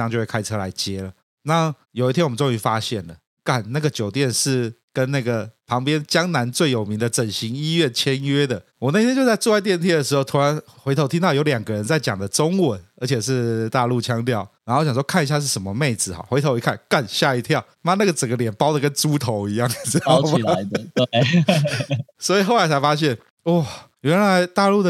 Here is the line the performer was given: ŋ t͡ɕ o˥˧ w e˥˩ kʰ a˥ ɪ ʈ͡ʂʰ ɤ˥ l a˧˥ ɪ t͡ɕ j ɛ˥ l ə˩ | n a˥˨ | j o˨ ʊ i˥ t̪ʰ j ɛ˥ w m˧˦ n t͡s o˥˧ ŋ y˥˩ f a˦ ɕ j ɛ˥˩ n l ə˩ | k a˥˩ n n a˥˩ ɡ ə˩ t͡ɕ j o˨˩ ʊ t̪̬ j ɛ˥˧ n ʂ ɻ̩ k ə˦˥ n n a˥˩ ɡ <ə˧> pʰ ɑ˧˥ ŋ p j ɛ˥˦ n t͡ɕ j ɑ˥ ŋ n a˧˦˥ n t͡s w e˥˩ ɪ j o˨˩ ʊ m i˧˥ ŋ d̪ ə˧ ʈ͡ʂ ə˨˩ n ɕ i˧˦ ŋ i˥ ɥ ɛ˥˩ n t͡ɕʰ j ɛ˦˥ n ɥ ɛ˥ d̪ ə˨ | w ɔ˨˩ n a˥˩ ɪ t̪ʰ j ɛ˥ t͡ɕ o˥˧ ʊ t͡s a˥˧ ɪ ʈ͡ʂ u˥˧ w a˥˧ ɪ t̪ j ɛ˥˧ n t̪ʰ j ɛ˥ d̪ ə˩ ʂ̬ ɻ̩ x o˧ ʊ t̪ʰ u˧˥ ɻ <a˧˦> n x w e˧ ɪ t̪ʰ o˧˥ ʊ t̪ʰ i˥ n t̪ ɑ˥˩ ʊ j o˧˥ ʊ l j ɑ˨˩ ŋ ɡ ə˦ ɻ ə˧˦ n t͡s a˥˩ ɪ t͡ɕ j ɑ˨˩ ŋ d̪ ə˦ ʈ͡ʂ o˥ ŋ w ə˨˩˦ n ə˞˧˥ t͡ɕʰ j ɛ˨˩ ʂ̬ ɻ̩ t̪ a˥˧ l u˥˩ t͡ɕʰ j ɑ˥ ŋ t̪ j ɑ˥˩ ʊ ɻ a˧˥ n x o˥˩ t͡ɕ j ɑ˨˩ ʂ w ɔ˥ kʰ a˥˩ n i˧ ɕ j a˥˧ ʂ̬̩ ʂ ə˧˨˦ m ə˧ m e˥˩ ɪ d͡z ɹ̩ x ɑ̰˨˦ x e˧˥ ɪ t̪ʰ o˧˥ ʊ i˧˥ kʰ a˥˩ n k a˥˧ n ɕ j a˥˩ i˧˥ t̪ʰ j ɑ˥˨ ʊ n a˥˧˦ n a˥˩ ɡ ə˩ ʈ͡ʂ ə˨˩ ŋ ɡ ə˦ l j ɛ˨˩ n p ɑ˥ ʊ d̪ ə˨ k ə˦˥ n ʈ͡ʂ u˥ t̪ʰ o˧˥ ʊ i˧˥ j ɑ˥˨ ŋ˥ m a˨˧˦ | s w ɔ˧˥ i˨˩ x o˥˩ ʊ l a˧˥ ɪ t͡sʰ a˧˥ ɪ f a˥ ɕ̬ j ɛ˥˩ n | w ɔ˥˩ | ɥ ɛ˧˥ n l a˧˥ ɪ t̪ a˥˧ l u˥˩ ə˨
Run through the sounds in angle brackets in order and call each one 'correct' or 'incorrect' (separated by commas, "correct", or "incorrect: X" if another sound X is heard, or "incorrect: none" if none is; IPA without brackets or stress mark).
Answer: incorrect: ə˩, correct